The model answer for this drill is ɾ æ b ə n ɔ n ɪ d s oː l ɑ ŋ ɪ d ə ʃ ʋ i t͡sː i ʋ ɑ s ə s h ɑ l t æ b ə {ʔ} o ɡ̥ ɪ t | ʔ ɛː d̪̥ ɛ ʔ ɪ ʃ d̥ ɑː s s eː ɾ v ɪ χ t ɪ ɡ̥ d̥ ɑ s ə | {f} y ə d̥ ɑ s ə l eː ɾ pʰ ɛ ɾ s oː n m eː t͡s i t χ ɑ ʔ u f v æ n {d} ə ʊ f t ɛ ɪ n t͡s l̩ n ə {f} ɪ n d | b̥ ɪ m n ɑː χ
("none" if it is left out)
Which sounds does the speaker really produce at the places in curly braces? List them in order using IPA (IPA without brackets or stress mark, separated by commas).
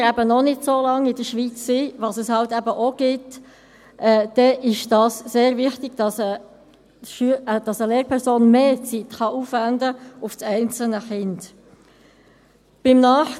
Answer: ʔ, ʃ, d, χ